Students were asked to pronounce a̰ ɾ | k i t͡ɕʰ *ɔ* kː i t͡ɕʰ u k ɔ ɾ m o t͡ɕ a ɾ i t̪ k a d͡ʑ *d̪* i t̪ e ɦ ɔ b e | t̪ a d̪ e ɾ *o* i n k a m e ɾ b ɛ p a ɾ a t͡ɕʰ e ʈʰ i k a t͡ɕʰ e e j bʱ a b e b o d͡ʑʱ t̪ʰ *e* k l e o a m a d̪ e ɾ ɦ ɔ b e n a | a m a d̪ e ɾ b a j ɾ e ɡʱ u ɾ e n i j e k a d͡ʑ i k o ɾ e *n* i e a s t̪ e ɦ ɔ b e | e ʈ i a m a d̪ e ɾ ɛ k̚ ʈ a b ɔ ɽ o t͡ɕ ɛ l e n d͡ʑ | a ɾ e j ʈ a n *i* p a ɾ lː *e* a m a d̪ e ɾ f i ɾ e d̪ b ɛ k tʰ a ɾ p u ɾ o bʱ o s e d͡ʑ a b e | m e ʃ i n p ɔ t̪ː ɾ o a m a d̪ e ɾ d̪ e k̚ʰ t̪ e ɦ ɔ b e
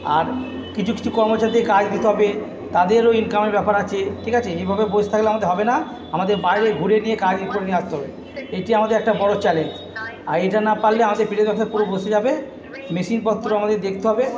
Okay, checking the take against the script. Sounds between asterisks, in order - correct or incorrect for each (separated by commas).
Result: incorrect, correct, correct, incorrect, correct, incorrect, correct